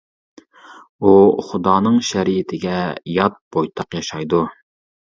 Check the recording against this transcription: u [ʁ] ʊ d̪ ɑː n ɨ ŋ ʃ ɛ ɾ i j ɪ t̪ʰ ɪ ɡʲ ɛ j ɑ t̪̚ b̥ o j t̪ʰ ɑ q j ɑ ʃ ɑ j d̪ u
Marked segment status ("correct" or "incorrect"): incorrect